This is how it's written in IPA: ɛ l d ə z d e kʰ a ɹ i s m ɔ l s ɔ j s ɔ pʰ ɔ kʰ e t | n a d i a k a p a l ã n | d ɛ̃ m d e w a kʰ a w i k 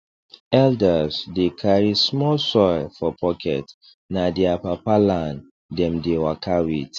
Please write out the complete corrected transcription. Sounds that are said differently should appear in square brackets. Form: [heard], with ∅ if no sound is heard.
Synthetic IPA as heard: ɛ l d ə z d e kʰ a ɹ i s m ɔ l s ɔ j [f] ɔ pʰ ɔ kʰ [ɛ] t | n a d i a [p] a p a l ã n | d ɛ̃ m d e w a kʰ a w i [t]